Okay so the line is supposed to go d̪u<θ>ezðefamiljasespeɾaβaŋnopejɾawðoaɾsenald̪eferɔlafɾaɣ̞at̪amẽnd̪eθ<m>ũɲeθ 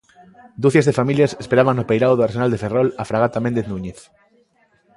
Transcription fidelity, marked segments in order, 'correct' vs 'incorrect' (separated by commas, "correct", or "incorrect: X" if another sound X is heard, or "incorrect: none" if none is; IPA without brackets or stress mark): correct, incorrect: n